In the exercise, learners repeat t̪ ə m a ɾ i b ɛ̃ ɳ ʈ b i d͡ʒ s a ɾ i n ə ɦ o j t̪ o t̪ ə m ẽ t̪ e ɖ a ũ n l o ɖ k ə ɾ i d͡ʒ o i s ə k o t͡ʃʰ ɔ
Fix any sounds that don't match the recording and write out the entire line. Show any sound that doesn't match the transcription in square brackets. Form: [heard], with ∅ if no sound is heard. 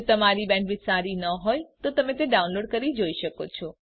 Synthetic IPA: t̪ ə m a ɾ i b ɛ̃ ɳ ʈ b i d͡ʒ s a ɾ i n ə ɦ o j t̪ o t̪ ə m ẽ t̪ e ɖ a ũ n l o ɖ k ə ɾ i d͡ʒ o i [ʃ] ə k o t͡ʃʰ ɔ

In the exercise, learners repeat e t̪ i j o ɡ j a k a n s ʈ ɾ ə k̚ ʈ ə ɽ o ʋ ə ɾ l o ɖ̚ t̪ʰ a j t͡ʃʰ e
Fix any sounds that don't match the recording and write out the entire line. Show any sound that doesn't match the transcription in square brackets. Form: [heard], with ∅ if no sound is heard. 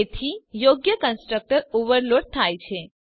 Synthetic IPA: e [t̪ʰ] i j o ɡ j [ə] k [ə] n s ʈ ɾ ə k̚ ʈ ə [ɾ] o ʋ ə ɾ l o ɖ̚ t̪ʰ a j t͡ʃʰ e

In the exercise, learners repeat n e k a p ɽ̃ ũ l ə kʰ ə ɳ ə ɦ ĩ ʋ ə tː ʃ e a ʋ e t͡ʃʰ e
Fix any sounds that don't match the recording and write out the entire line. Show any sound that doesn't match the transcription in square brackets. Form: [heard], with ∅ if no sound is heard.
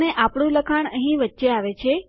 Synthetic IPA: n e [ʔ] a p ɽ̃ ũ l ə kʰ [a] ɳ ə ɦ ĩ ʋ ə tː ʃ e a ʋ e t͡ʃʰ e

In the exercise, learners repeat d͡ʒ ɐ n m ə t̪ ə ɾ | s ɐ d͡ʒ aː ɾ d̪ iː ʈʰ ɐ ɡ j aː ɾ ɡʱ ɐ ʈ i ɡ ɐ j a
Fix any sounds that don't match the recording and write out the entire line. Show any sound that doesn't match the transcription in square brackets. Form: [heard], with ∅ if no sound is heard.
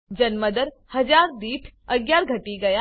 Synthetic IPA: d͡ʒ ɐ n m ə [d̪] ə ɾ | [h] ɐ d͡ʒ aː ɾ d̪ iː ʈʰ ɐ ɡ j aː ɾ ɡʱ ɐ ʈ i ɡ ɐ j a

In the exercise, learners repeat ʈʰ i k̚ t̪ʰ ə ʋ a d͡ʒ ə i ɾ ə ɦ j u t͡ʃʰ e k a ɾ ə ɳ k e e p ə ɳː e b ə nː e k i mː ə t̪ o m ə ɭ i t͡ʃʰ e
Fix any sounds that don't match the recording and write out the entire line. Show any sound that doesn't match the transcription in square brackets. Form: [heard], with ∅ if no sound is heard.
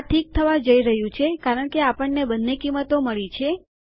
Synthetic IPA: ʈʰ i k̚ t̪ʰ ə ʋ a d͡ʒ ə i ɾ ə ɦ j [ũ] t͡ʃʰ e k a ɾ ə ɳ k e [a] p ə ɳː e b ə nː e k i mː ə t̪ o m ə ɭ i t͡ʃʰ e

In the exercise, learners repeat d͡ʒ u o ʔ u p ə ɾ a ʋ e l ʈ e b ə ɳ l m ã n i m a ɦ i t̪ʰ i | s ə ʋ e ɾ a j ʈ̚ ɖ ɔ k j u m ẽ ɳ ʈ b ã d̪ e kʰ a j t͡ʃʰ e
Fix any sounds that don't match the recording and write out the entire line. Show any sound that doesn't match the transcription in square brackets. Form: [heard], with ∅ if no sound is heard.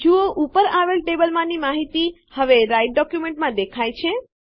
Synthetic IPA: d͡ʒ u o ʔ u p ə ɾ a ʋ e l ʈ e b ə [∅] l m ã n i m a ɦ i [t̪] i | [h] ə ʋ e ɾ a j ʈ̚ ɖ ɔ k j u m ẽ ɳ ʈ [m] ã d̪ e kʰ a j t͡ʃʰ e

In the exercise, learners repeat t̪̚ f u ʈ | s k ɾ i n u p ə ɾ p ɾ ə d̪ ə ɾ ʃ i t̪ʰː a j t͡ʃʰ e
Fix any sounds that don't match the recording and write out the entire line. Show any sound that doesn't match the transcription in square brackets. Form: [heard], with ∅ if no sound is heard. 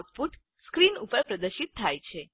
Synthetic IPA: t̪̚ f u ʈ | s k ɾ i n u p ə ɾ p ɾ ə d̪ ə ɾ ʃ i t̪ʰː a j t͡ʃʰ e

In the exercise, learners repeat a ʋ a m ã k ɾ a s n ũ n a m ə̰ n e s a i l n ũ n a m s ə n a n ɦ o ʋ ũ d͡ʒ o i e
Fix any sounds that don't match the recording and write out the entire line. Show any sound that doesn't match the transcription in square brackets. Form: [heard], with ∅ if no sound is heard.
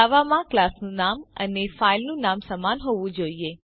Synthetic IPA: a ʋ a m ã k [l] a s n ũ n a m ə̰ n e [f] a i l n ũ n a m s ə [m] a n ɦ o ʋ ũ d͡ʒ o i e

